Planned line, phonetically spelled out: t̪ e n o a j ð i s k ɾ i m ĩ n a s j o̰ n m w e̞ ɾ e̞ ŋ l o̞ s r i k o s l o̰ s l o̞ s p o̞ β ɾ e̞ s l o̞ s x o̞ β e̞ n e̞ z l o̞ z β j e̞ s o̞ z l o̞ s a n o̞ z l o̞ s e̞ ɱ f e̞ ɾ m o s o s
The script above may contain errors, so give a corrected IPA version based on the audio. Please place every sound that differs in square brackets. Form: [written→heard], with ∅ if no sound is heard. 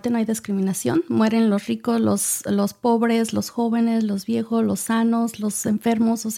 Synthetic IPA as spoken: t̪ e n o a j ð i s k ɾ i m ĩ n a s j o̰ n m w e̞ ɾ e̞ [ŋ→n] l o̞ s r i k o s l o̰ s l o̞ s p o̞ β ɾ e̞ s l o̞ s x o̞ β e̞ n e̞ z l o̞ z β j e̞ [s→x] o̞ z l o̞ s a n o̞ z l o̞ s e̞ ɱ f e̞ ɾ m o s o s